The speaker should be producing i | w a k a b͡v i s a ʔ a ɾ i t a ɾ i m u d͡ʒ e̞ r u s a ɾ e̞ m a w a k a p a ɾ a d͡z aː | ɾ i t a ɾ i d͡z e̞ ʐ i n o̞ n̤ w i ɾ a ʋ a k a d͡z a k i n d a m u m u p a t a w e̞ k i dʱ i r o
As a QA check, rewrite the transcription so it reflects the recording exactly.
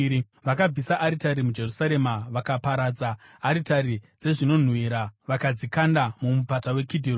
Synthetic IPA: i | ʋ a k a b͡v i s a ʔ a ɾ i t a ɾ i m u d͡ʒ e̞ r u s a ɾ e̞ m a ʋ a k a p a ɾ a d͡z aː | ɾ i t a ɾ i d͡z e̞ ʐ i n o̞ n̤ w i ɾ a ʋ a k a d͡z i k a n d a m u m u p a t a w e̞ k i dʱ i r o